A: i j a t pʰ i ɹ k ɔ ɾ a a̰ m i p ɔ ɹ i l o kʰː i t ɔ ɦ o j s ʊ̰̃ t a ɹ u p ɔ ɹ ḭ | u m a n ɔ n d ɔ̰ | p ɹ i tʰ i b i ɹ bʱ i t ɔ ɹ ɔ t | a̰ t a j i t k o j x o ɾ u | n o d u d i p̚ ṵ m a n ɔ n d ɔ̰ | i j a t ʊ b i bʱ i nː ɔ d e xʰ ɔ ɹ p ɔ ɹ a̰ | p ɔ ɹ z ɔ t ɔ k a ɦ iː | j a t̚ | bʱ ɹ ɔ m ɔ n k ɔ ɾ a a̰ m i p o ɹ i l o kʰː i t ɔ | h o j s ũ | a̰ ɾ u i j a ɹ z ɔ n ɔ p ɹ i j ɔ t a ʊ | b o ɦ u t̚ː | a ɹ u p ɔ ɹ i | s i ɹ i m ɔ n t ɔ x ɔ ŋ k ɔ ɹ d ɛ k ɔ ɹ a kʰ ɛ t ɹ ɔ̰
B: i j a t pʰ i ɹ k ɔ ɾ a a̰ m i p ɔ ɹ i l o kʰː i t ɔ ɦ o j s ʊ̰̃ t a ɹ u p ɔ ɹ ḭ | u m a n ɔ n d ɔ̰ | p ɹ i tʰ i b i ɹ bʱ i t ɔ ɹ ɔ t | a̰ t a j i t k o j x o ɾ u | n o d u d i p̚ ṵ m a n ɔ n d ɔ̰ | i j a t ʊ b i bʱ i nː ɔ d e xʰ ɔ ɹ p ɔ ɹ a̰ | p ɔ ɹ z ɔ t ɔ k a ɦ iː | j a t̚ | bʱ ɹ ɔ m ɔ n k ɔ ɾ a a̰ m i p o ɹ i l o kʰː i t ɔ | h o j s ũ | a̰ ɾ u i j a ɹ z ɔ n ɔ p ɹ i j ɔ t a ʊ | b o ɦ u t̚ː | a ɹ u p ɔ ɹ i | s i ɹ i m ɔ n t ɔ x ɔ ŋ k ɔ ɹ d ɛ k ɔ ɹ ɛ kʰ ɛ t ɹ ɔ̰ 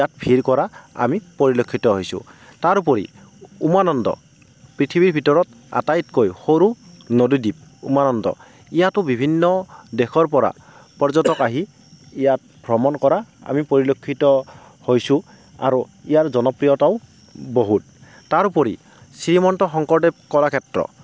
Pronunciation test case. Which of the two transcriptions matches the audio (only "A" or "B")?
A